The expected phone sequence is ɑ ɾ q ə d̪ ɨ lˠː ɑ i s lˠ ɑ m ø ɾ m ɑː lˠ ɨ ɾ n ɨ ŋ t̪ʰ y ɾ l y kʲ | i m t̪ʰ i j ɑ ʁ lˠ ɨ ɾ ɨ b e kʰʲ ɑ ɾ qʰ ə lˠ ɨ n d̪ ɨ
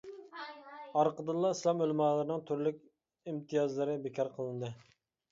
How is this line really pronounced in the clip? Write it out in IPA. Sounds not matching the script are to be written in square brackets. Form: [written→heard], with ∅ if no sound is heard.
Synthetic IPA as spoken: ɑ ɾ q ə d̪ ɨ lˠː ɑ i s lˠ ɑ m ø [ɾ→l] m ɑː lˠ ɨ ɾ n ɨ ŋ t̪ʰ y ɾ l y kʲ | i m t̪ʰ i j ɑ [ʁ→z] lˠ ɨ ɾ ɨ b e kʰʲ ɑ ɾ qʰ ə lˠ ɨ n d̪ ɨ